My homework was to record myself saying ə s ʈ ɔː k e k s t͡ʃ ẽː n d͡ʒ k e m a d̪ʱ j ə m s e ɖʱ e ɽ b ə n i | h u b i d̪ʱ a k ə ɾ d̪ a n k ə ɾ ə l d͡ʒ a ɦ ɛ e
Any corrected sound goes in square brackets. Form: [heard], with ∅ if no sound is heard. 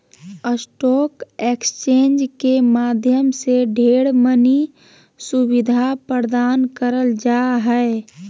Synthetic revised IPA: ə s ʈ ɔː k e k s t͡ʃ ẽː n d͡ʒ k e m a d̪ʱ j ə m s e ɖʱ e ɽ [m] ə n i | [s] u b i d̪ʱ a [p] ə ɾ d̪ a n k ə ɾ ə l d͡ʒ a ɦ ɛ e